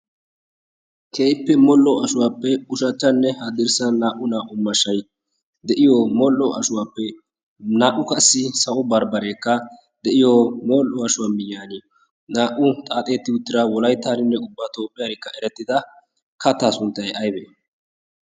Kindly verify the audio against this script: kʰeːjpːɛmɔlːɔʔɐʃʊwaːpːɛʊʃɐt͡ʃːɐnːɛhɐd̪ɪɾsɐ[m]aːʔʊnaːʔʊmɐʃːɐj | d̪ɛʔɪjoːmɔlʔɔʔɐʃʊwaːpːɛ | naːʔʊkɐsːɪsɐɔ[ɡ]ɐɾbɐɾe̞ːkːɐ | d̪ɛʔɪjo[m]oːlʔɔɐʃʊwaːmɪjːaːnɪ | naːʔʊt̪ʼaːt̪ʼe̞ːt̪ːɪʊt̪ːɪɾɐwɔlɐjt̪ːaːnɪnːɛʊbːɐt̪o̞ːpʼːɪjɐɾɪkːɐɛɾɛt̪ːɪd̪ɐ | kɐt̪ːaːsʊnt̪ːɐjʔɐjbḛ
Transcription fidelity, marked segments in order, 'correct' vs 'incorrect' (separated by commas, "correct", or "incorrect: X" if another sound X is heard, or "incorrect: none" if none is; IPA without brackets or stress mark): incorrect: n, incorrect: b, correct